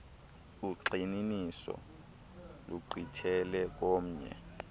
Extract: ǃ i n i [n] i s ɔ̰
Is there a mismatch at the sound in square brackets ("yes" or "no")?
no